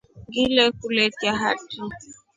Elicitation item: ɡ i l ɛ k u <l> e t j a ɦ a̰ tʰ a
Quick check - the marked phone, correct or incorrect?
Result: correct